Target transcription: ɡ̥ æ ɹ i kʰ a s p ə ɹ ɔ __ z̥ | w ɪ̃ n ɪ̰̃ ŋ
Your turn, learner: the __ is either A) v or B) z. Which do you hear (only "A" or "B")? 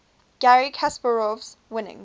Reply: A